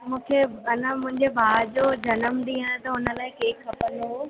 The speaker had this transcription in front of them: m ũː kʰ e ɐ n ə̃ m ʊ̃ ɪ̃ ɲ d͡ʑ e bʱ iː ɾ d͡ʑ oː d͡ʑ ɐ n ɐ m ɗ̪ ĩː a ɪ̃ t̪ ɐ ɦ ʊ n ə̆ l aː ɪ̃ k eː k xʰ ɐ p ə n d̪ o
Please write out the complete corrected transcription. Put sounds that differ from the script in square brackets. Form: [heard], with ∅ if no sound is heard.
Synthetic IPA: m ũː kʰ e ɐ n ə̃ m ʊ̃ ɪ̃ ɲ d͡ʑ e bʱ [aː] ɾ d͡ʑ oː d͡ʑ ɐ n [ə] m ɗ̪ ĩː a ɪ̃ t̪ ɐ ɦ ʊ n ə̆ l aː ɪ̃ k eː k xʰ ɐ p ə n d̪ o